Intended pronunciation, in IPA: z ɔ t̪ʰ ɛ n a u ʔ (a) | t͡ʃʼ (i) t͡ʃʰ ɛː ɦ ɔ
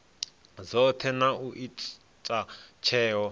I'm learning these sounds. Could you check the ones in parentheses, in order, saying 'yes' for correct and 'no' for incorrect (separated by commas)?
no, no